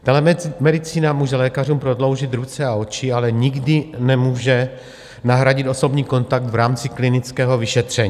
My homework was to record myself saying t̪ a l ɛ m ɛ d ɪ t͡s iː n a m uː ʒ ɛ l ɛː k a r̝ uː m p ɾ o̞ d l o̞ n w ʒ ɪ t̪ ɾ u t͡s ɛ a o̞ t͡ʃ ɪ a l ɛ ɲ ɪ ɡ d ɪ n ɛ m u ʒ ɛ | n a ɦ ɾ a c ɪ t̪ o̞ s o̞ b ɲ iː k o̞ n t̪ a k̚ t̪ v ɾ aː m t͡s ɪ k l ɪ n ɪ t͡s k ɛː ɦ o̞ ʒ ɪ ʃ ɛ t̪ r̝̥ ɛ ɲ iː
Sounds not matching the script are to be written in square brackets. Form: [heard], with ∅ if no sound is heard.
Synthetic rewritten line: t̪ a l ɛ m ɛ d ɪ t͡s iː n a m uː ʒ ɛ l ɛː k a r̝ uː m p ɾ o̞ d l o̞ [∅] w ʒ ɪ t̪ ɾ u t͡s ɛ a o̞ t͡ʃ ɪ a l ɛ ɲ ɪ ɡ d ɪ n ɛ m [uː] ʒ ɛ | n a ɦ ɾ a [ɟ] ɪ t̪ o̞ s o̞ b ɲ iː k o̞ n t̪ a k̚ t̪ v ɾ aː m t͡s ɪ k l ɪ n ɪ t͡s k ɛː ɦ o̞ [v] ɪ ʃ ɛ t̪ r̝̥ ɛ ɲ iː